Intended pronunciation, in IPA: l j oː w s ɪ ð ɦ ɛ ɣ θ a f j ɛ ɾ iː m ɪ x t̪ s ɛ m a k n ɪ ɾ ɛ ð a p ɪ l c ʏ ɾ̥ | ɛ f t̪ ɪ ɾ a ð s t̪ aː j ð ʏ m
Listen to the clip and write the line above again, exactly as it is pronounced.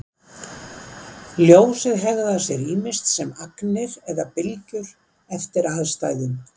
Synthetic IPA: l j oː w s ɪ ð ɦ ɛ ɣ ð a s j ɛ ɾ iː m ɪ s t̪ s ɛ m a k n ɪ ɾ ɛ ð a p ɪ l c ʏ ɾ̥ | ɛ f t̪ ɪ ɾ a ð s t̪ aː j ð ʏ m